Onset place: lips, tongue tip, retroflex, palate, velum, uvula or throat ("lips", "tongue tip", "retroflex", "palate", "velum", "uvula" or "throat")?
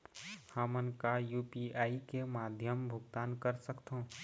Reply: throat